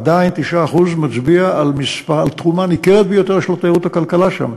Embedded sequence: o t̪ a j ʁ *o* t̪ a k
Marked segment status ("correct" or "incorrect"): incorrect